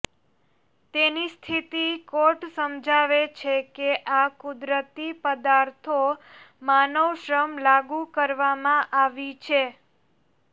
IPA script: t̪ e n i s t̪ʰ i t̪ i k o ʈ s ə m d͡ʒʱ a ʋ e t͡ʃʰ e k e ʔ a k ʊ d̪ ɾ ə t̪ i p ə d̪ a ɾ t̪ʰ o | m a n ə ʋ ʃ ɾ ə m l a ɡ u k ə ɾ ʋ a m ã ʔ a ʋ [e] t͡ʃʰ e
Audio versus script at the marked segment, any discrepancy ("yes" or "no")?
yes